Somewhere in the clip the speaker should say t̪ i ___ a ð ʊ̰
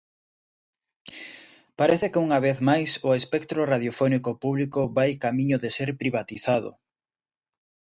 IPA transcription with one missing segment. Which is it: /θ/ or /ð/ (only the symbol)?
θ